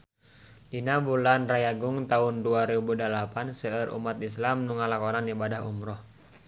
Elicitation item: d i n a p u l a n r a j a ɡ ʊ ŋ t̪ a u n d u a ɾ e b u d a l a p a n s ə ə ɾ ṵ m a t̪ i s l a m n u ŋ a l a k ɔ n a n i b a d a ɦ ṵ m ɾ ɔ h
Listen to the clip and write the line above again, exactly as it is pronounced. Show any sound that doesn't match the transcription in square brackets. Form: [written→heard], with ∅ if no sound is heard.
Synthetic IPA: d i n a [p→b] u l a n r a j a ɡ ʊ ŋ t̪ a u n d u a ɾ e b u d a l a p a n s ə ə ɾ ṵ m a t̪ i s l a m n u ŋ a l a k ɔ n a n i b a d a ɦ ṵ m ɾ ɔ h